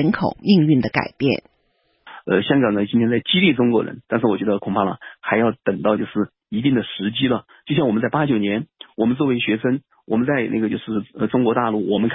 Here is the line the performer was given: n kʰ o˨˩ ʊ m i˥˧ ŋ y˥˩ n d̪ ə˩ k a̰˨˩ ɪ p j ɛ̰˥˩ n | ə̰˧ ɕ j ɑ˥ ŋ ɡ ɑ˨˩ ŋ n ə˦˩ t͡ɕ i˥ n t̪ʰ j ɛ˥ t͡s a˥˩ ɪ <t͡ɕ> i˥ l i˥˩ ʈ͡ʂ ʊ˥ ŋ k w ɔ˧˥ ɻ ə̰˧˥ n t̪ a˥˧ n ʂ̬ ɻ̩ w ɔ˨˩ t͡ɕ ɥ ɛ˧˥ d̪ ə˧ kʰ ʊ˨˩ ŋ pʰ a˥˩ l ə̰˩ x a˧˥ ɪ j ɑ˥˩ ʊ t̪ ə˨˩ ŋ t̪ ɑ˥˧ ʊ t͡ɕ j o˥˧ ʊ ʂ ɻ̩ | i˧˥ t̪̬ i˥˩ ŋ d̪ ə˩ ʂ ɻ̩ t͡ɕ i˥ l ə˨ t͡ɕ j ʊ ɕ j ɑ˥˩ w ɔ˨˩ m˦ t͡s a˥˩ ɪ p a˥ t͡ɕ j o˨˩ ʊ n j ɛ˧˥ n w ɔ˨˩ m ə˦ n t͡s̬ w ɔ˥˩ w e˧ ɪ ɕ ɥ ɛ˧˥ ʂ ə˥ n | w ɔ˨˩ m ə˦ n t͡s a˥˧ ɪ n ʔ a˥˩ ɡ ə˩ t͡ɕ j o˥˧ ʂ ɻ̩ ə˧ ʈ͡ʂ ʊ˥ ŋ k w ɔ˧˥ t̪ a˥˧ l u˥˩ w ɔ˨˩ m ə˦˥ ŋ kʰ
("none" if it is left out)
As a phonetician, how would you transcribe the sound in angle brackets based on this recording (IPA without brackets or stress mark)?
t͡ɕ